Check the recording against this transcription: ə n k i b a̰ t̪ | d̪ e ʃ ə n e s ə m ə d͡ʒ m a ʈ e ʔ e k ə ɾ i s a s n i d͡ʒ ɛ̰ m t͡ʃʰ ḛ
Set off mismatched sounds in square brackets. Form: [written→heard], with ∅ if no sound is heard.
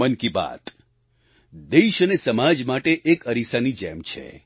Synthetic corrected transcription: ə n k i b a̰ t̪ | d̪ e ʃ ə n e s ə m [ə→a] d͡ʒ m a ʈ e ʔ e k ə ɾ i s a [s→∅] n i d͡ʒ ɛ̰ m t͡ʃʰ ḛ